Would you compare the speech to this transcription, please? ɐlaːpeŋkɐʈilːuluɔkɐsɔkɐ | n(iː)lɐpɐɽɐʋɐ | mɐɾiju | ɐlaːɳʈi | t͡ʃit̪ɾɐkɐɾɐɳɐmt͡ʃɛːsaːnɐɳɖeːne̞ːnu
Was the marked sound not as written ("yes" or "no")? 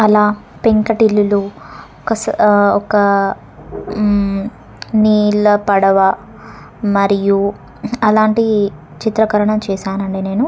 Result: no